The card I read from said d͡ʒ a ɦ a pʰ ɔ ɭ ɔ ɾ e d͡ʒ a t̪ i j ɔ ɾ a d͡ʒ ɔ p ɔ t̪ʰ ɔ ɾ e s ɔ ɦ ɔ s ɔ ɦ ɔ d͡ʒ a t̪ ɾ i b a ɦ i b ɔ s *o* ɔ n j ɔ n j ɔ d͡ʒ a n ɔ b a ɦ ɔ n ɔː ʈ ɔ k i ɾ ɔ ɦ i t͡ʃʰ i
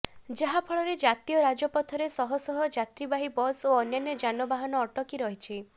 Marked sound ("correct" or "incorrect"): correct